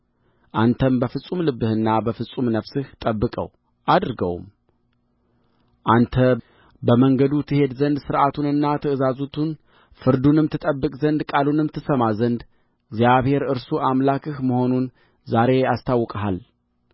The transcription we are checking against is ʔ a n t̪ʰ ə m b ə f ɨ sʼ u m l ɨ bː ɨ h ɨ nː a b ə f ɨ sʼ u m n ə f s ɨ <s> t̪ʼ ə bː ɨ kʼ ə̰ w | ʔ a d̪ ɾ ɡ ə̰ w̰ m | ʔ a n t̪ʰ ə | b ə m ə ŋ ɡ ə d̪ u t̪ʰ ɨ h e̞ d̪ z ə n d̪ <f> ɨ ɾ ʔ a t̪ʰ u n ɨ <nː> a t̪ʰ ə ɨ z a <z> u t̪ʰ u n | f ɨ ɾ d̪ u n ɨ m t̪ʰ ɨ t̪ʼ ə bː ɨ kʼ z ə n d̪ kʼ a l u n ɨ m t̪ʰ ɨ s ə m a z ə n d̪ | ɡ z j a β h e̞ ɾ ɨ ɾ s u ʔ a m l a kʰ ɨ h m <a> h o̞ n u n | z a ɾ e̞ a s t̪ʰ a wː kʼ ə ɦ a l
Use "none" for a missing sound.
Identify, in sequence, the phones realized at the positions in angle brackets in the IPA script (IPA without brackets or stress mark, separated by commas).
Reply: h, s, nː, z, ə